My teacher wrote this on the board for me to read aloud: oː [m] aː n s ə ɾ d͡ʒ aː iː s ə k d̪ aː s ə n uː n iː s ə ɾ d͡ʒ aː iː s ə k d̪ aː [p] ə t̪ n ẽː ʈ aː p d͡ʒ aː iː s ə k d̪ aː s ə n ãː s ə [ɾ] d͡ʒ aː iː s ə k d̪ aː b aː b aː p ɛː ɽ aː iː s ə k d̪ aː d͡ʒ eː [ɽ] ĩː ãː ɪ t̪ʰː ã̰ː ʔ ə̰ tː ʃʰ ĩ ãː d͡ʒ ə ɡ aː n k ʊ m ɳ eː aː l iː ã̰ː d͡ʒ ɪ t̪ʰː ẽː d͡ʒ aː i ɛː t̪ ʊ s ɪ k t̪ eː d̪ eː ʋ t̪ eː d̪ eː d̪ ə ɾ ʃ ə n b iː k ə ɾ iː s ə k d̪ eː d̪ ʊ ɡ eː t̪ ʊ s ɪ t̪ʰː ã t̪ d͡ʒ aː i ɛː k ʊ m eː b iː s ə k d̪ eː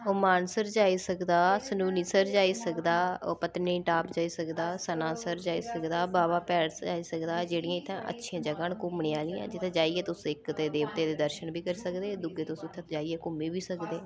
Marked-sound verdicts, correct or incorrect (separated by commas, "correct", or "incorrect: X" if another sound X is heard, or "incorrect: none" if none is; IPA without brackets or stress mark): correct, correct, correct, correct